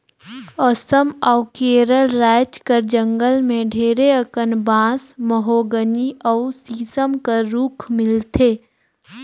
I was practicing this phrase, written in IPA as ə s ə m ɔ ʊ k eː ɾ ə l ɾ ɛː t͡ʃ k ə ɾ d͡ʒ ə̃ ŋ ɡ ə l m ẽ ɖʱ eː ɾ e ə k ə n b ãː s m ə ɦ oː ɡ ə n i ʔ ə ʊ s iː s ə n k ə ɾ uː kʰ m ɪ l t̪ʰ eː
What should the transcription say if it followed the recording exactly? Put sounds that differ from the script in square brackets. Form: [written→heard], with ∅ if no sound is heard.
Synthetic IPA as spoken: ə s ə m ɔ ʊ k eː ɾ ə l ɾ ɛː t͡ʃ k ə ɾ d͡ʒ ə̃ ŋ ɡ ə l m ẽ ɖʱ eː ɾ e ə k ə n b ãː s m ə ɦ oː ɡ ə n i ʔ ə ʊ s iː s ə [n→m] k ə ɾ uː kʰ m ɪ l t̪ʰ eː